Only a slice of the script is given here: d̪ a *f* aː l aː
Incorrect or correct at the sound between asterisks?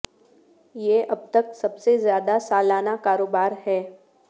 incorrect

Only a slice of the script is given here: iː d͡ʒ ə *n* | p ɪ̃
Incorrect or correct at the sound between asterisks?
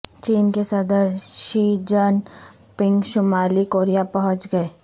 correct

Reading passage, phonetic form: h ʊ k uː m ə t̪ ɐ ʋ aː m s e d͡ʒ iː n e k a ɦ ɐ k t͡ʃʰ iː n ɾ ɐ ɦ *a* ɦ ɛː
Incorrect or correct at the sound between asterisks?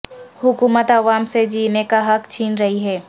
incorrect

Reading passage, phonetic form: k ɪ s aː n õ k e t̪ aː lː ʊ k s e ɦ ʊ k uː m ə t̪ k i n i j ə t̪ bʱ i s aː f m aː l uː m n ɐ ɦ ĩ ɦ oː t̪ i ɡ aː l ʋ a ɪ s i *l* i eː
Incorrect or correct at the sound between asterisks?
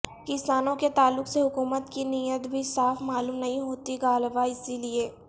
correct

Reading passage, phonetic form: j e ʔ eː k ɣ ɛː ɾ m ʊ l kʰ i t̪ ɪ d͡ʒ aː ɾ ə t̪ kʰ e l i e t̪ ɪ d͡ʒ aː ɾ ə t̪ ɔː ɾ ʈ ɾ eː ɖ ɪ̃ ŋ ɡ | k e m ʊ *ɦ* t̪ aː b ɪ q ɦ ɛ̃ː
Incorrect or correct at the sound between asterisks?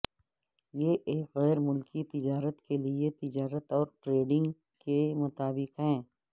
incorrect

